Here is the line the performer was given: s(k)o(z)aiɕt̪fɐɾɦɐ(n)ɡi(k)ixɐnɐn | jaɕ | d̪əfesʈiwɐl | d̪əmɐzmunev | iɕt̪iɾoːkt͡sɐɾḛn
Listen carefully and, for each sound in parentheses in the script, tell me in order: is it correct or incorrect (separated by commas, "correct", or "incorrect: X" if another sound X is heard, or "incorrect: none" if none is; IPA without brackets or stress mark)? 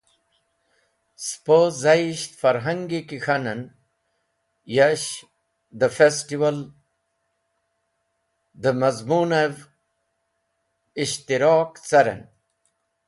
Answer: incorrect: p, correct, incorrect: ŋ, correct